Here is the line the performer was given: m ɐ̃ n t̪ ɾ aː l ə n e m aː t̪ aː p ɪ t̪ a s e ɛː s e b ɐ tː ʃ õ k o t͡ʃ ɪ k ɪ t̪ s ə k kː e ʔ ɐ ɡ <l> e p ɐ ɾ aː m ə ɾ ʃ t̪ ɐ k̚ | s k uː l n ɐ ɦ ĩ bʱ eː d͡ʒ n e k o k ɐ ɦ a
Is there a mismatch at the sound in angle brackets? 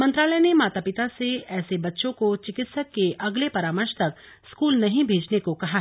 no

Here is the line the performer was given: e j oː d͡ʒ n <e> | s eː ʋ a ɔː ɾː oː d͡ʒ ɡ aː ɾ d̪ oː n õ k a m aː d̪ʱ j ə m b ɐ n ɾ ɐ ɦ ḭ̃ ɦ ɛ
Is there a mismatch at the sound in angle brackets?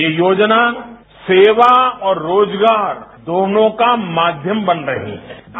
yes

